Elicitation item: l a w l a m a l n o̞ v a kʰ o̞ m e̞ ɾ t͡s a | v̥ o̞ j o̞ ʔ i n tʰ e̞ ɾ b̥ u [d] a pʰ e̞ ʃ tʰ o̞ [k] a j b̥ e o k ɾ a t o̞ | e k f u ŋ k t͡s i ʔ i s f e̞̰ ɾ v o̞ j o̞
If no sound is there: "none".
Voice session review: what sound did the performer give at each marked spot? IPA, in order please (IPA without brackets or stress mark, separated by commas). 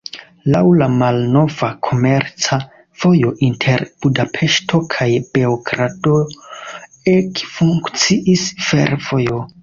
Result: d, kʰ